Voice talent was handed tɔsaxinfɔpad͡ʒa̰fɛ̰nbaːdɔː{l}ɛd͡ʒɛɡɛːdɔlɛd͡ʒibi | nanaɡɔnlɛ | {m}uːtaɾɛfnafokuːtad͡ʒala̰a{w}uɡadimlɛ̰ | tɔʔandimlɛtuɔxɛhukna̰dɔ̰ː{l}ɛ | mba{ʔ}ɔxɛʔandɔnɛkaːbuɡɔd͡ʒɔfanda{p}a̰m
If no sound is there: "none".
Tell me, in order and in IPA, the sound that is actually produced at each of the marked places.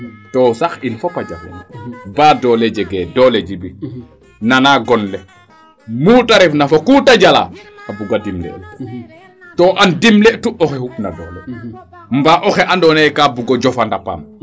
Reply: l, m, b, l, ʔ, p

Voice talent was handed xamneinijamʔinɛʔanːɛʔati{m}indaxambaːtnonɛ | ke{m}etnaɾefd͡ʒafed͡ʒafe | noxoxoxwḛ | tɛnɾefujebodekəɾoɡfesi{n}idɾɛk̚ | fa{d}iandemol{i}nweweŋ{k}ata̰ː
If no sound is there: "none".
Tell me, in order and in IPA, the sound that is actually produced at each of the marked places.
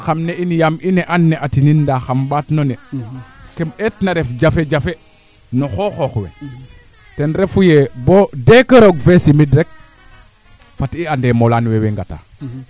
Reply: n, m, m, t, a, ɡ

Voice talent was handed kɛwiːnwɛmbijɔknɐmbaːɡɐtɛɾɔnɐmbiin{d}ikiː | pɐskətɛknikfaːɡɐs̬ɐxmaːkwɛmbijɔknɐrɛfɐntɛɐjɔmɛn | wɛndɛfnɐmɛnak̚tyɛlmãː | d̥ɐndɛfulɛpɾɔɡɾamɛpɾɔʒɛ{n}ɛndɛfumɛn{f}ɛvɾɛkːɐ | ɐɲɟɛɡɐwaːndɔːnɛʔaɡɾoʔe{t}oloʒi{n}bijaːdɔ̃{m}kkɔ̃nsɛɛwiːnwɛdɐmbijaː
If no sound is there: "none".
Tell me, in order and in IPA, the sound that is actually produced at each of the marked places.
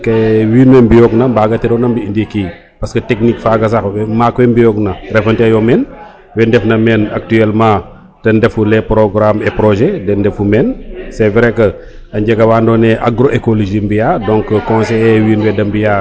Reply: d, d, s, k, m, ŋ

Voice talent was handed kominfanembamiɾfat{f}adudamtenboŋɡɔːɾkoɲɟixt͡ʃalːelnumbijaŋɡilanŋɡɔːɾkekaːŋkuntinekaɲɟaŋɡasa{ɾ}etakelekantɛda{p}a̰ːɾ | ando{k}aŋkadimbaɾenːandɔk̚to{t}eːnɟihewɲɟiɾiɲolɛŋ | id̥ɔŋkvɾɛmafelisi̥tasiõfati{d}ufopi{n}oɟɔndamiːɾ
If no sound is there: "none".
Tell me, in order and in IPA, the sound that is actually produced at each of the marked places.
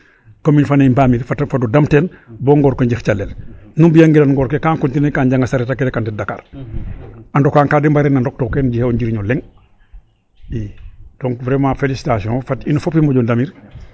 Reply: f, ɾ, k, k, k, n, m

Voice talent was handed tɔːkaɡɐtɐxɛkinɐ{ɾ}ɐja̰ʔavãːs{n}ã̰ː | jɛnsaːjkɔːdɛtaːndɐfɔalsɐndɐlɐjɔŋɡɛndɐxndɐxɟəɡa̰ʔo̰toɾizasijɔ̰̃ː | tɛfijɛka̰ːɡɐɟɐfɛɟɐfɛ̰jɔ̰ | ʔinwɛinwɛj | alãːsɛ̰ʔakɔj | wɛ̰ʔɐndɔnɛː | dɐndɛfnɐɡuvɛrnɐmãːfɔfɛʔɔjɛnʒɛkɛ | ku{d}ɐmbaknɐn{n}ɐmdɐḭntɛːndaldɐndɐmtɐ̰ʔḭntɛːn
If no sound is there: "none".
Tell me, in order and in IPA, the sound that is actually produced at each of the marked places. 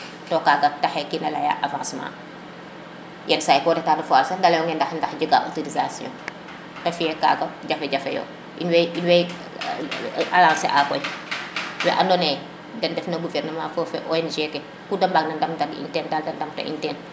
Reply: l, m, d, d

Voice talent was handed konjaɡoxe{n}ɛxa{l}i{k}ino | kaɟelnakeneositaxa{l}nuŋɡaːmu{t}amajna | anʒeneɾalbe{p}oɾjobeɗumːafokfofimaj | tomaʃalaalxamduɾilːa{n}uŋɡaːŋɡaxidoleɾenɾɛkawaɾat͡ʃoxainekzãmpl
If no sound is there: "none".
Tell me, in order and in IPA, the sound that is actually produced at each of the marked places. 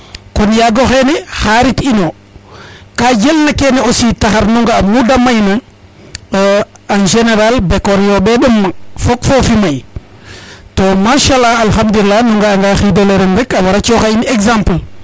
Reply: n, ɾ, t, ɾ, d, k, n

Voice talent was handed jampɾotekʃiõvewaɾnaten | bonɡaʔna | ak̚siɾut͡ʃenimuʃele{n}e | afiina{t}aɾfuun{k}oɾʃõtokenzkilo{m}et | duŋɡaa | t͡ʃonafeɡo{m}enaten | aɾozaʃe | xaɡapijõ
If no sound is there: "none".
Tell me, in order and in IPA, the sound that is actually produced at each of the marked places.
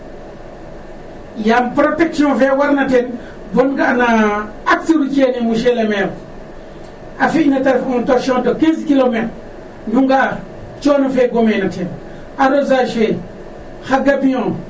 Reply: m, t, t, m, m

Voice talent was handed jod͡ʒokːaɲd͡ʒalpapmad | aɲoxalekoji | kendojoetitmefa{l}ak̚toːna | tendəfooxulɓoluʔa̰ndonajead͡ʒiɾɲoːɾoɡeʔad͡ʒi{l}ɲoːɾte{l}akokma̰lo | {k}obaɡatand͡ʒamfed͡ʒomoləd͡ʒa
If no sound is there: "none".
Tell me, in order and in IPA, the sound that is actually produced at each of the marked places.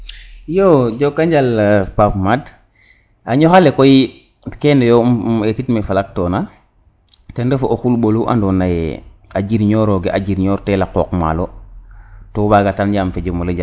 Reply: l, ɾ, l, t

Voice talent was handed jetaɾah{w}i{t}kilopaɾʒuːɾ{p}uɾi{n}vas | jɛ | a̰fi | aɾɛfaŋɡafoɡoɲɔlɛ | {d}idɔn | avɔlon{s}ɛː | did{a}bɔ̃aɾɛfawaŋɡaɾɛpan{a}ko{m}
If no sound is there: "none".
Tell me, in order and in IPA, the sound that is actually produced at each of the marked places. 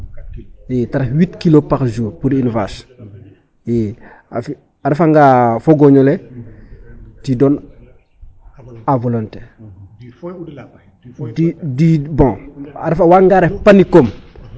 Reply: w, t, p, n, t, t, i, i, m

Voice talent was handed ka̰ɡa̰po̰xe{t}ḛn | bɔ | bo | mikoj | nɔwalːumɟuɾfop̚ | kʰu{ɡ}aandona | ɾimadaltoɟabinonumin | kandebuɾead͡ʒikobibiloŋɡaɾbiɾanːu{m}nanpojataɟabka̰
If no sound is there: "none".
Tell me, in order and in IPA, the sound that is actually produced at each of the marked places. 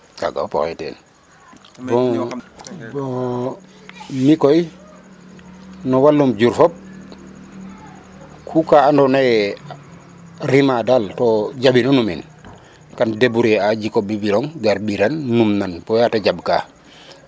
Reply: t, k, m

